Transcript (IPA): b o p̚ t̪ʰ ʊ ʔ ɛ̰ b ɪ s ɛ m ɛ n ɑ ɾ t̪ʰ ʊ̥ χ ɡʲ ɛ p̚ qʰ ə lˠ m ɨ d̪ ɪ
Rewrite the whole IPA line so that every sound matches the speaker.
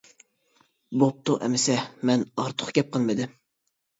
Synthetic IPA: b o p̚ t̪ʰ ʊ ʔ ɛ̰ m ɪ s ɛ m ɛ n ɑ ɾ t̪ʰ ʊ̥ χ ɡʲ ɛ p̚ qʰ ə lˠ m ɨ d̪ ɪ